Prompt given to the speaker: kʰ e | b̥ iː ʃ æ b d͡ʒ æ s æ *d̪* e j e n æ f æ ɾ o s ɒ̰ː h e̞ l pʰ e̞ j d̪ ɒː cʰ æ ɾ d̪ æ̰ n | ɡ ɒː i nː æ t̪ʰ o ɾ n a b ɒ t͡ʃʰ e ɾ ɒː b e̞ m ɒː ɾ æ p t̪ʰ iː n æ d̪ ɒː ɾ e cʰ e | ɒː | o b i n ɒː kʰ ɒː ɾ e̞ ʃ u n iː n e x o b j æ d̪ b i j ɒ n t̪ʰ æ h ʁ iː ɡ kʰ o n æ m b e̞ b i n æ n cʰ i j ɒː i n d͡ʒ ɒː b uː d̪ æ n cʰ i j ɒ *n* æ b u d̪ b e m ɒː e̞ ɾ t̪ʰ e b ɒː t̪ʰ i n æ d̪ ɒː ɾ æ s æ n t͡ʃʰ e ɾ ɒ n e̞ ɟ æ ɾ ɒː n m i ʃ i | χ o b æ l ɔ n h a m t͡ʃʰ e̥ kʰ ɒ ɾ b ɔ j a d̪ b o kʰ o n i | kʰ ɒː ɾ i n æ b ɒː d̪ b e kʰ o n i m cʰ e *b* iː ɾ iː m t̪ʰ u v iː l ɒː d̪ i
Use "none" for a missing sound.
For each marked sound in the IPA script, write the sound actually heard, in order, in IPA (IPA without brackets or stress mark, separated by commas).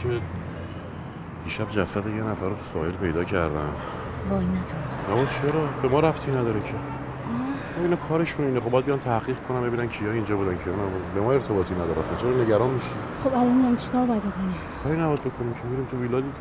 d̪, n, m